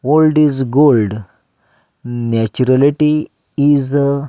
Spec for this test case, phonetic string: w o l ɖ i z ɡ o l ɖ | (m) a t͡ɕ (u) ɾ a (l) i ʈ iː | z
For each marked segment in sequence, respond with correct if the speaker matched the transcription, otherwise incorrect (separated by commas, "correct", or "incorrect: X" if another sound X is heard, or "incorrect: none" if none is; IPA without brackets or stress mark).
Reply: incorrect: n, correct, correct